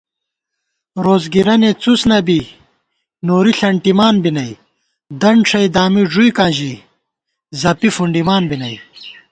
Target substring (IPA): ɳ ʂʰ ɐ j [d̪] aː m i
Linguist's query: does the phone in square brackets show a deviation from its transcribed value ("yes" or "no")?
no